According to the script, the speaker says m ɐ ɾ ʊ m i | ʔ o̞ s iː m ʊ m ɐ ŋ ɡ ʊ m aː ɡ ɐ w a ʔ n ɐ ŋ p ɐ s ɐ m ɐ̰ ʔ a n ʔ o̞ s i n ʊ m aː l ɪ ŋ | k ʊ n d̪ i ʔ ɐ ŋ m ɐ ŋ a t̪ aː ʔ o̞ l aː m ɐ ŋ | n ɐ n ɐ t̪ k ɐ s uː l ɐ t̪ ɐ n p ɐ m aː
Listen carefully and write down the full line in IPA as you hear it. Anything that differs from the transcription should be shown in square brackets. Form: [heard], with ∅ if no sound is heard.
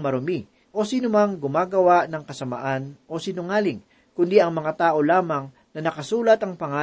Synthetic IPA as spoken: m ɐ ɾ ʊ m i | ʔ o̞ s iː [n] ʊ m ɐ ŋ ɡ ʊ m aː ɡ ɐ w a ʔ n ɐ ŋ [k] ɐ s ɐ m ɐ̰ ʔ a n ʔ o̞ s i n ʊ [ŋ] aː l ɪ ŋ | k ʊ n d̪ i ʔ ɐ ŋ m ɐ ŋ a t̪ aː ʔ o̞ l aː m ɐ ŋ | n ɐ n ɐ [∅] k ɐ s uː l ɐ t̪ ɐ [ŋ] p ɐ [ŋ] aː